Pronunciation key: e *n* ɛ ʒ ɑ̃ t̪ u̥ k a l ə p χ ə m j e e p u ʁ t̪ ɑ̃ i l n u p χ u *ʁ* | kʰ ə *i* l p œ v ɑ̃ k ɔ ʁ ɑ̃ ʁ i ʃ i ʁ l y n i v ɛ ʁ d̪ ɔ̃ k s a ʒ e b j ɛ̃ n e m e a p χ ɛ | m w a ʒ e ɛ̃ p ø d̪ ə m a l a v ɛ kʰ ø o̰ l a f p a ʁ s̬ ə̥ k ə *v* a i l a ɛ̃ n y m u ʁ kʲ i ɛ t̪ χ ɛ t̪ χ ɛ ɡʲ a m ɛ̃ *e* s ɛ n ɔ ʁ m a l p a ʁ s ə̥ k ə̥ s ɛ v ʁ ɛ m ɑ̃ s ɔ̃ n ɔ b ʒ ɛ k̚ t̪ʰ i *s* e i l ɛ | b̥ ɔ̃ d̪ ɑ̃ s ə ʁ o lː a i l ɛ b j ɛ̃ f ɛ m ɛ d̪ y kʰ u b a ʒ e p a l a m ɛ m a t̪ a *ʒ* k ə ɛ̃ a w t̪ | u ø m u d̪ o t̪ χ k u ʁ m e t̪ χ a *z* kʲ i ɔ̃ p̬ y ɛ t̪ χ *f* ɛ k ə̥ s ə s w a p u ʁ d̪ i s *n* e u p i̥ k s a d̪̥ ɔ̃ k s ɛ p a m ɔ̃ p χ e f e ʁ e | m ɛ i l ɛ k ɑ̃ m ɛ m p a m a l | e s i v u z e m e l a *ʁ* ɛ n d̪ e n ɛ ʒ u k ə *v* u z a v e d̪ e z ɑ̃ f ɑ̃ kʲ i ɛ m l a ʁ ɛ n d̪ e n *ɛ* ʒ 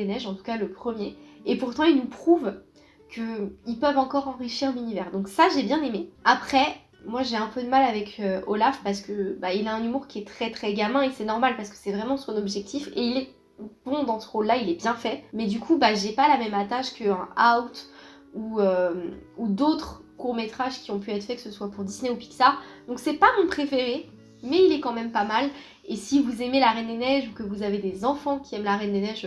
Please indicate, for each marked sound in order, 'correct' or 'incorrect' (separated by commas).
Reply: correct, incorrect, correct, incorrect, correct, incorrect, incorrect, incorrect, correct, correct, correct, correct, correct